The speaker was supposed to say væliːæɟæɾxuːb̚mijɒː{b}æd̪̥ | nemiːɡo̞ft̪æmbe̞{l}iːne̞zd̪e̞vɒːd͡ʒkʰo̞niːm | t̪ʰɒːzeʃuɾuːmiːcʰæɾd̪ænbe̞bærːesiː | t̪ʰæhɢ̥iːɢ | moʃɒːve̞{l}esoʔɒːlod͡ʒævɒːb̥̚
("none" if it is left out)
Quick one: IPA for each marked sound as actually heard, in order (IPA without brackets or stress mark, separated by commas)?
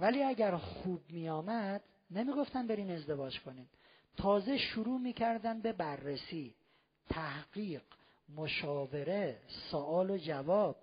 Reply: m, ɾ, ɾ